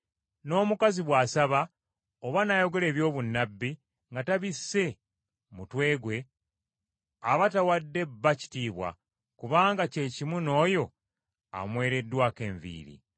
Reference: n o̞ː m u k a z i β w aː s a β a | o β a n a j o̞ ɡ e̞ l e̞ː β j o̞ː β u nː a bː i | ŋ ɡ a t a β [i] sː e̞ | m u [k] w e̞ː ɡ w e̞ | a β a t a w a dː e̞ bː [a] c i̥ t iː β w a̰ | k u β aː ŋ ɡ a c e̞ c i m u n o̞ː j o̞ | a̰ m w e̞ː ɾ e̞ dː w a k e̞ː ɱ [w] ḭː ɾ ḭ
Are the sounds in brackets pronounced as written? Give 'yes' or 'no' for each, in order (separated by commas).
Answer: yes, no, yes, no